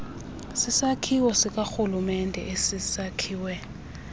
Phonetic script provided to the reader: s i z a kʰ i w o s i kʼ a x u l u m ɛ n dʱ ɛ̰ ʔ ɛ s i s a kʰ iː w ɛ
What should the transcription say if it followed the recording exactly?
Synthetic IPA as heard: s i s a kʰ i w ɔ s i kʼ a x u l u m ɛ n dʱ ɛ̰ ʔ e s i s a kʰ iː w ɛ